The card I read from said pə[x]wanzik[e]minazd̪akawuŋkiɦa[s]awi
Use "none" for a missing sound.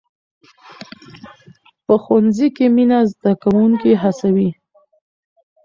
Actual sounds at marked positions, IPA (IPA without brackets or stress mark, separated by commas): x, e, s